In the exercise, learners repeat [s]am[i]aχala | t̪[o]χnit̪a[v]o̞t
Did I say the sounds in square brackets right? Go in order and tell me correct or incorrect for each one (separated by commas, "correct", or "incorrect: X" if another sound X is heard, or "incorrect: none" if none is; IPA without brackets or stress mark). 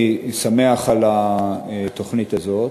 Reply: correct, incorrect: e, correct, incorrect: z